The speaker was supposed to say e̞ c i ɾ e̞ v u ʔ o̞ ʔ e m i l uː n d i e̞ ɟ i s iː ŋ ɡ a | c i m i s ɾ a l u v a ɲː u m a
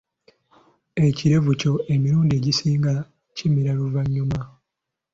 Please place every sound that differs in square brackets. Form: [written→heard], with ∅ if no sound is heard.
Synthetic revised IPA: e̞ c i ɾ e̞ v u [ʔ→c] o̞ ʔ e m i [l→ɾ] uː n d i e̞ ɟ i s iː ŋ ɡ a | c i m i [s→∅] ɾ a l u v a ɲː u m a

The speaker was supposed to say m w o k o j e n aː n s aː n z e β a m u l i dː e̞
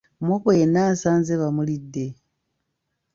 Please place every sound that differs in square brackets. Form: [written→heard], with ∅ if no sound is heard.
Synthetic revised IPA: m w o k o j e n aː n s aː n z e β a m u l i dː e̞

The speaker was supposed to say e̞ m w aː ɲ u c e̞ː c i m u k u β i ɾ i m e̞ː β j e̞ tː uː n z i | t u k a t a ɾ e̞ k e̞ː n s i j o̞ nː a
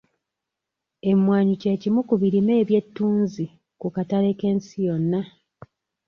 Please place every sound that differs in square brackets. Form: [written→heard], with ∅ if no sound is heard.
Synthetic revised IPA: e̞ m w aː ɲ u c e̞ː c i m u k u β i ɾ i m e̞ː β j e̞ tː uː n z i | [t→k] u k a t a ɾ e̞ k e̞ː n s i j o̞ nː a

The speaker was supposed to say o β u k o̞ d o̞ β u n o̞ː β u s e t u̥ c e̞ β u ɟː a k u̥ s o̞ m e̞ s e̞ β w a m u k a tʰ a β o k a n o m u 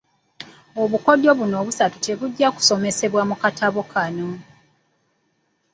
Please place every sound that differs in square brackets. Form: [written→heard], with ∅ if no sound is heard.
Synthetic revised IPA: o β u k o̞ d o̞ β u n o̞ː β u s [e→a] t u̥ [c→t] e̞ β u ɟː a k u̥ s o̞ m e̞ s e̞ β w a m u k a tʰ a β o k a n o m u

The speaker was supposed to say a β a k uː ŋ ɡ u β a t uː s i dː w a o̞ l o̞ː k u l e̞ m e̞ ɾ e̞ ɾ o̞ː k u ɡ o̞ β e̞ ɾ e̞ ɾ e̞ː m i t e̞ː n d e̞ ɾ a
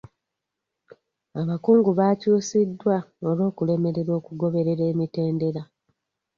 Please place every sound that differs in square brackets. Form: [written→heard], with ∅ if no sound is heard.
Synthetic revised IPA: a β a k uː ŋ ɡ u β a [t→c] uː s i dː w a o̞ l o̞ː k u l e̞ m e̞ ɾ e̞ ɾ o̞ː k u ɡ o̞ β e̞ ɾ e̞ ɾ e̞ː m i t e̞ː n d e̞ ɾ a

